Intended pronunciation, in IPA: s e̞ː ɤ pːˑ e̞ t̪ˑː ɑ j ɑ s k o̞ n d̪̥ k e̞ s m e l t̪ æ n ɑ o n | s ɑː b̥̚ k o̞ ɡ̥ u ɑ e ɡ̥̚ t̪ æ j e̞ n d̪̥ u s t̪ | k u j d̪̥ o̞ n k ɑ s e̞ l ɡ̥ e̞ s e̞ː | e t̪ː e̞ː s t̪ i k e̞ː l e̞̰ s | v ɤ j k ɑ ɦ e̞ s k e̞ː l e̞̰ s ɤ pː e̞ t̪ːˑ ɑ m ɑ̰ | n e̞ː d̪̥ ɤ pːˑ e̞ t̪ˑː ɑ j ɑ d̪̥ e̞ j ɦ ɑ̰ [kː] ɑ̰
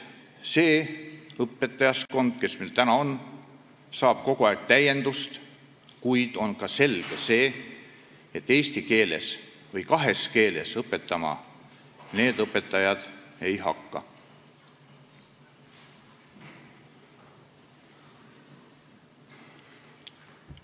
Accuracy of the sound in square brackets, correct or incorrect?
correct